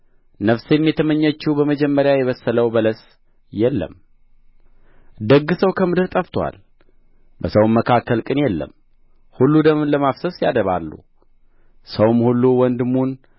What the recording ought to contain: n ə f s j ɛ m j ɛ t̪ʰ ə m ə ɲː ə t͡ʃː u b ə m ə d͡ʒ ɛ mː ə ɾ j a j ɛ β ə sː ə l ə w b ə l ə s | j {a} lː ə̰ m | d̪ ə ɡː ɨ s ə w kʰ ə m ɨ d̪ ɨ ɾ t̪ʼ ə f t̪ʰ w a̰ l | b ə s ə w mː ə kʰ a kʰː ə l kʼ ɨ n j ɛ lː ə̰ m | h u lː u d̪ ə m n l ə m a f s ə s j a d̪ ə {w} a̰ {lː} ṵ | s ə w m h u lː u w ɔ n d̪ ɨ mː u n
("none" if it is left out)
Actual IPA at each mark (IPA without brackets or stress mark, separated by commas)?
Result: ɛ, β, lː